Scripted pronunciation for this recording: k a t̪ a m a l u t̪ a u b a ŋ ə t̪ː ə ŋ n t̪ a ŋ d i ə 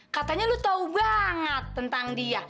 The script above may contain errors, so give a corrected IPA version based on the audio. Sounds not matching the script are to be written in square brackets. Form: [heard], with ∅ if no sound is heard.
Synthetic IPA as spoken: k a t̪ a [ɲ] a l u t̪ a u b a ŋ ə t̪ː ə [∅] n t̪ a ŋ d i [a]